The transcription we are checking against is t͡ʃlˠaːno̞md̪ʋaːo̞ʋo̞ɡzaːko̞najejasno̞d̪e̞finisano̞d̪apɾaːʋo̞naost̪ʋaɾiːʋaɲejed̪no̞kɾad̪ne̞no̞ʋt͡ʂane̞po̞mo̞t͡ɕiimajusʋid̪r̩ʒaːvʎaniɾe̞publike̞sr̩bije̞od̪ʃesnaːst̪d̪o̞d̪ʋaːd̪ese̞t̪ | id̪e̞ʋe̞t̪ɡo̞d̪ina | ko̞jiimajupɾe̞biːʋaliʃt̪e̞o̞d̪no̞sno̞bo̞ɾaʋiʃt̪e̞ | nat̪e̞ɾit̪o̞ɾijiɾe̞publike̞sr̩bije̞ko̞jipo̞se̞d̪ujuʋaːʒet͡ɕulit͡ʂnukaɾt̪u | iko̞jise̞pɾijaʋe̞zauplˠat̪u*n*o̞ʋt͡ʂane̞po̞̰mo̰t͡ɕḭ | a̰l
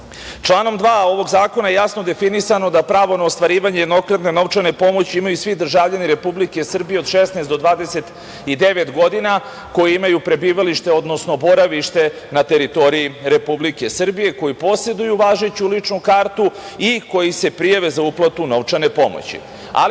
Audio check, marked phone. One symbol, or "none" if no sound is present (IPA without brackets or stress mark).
n